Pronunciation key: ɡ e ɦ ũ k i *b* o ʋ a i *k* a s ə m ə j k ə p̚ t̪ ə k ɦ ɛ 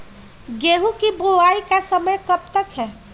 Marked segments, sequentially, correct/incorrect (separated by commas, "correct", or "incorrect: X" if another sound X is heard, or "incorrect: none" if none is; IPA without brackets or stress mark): correct, correct